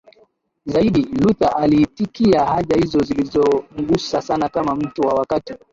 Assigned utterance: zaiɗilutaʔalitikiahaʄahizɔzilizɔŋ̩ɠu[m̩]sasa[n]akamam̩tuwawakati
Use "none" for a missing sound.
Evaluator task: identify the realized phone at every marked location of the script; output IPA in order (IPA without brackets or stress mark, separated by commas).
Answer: none, n